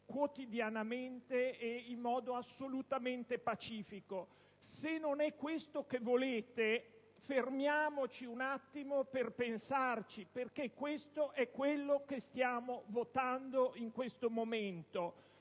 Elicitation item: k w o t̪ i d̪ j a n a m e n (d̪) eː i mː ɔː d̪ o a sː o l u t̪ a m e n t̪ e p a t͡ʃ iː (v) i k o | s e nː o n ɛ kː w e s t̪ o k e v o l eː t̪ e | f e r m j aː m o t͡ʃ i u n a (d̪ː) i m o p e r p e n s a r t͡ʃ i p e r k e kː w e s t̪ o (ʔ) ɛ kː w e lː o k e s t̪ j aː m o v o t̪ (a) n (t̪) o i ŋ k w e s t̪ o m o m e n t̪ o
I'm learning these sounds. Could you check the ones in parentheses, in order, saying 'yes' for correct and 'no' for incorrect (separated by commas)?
no, no, no, yes, yes, no